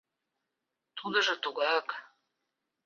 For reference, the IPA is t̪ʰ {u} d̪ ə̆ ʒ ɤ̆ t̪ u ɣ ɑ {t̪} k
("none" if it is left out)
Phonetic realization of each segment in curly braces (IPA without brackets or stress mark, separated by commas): u, none